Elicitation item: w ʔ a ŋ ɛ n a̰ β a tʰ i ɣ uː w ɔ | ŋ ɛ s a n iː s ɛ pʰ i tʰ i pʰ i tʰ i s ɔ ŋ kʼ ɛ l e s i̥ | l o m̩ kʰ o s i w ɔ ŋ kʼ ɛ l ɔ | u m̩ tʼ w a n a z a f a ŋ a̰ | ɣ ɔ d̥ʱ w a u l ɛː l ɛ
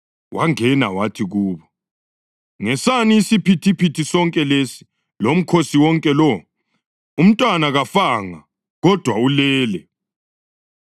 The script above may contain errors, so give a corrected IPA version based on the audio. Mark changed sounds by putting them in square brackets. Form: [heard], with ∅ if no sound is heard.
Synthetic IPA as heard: w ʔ a ŋ ɛ n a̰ [w] a tʰ i ɣ uː [β] ɔ | ŋ ɛ s a n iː s [i] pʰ i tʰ i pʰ i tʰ i s ɔ ŋ kʼ ɛ l e s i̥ | l o m̩ kʰ o s i w ɔ ŋ kʼ ɛ l ɔ | u m̩ tʼ w a n a [ɣ] a f a ŋ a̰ | ɣ ɔ d̥ʱ w a u l ɛː l ɛ